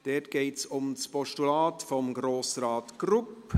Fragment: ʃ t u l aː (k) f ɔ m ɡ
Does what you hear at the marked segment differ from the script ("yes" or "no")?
yes